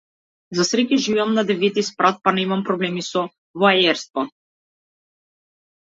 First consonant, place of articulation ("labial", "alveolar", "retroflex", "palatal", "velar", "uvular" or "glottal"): alveolar